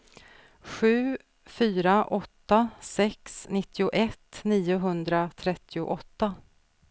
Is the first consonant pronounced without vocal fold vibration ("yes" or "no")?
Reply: yes